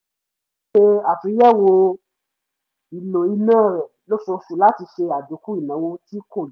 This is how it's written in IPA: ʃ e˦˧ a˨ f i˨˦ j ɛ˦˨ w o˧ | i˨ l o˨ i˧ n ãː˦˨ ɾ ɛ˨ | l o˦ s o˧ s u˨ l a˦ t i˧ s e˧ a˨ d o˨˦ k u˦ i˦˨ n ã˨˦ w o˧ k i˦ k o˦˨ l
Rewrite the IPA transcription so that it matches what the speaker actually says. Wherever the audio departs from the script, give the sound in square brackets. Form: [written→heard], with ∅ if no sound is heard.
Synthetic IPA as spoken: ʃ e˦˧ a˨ f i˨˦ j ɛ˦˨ w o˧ | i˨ l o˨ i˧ n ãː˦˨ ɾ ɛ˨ | l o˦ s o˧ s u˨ l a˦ t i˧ [s→ʃ] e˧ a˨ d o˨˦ k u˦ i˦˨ n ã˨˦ w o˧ [k→t] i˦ k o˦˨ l